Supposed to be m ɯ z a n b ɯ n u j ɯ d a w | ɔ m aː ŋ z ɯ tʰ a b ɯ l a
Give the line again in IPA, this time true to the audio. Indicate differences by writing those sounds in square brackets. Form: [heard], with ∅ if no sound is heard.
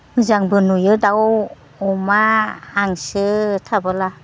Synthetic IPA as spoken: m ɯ z a [ŋ] b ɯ n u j ɯ d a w | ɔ m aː ŋ [s] ɯ tʰ a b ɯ l a